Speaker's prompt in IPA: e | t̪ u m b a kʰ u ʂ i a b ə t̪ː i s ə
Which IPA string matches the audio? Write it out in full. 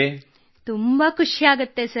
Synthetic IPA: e | t̪ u m b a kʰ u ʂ i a ɡ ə t̪ː e s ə